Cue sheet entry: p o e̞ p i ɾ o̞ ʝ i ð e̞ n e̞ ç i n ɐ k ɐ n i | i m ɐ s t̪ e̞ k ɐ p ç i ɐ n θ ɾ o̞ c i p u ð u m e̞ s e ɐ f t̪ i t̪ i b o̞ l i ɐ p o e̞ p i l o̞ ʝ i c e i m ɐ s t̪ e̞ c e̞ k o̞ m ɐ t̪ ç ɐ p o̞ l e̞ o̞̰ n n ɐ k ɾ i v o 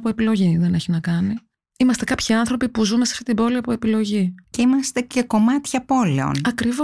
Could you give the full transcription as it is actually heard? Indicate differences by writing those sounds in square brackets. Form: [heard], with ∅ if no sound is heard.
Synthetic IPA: p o e̞ p i [l] o̞ ʝ i ð e̞ n e̞ ç i n ɐ k ɐ n i | i m ɐ s t̪ e̞ k ɐ p ç i ɐ n θ ɾ o̞ [p] i p u [z] u m e̞ s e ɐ f t̪ i t̪ i b o̞ l i ɐ p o e̞ p i l o̞ ʝ i c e i m ɐ s t̪ e̞ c e̞ k o̞ m ɐ t̪ ç ɐ p o̞ l e̞ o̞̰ n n ɐ k ɾ i v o